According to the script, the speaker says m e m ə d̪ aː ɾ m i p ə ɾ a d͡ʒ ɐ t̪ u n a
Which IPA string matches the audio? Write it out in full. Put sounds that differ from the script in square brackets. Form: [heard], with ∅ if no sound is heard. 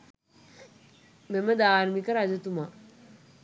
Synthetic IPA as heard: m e m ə d̪ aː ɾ m i [k] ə ɾ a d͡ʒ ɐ t̪ u [m] a